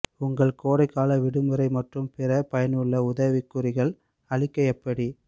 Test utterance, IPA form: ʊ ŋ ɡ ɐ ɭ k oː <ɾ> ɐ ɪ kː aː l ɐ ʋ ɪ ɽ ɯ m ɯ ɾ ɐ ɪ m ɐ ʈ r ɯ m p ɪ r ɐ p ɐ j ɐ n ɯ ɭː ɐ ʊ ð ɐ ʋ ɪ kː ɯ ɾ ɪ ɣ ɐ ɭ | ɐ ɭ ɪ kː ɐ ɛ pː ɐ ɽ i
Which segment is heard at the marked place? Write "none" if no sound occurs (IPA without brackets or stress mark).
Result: ɽ